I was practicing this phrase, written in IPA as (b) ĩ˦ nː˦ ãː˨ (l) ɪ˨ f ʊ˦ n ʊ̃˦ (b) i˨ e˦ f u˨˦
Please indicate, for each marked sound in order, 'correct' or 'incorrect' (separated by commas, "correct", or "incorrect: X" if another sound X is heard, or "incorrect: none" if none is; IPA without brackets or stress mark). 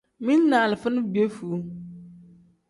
incorrect: m, correct, correct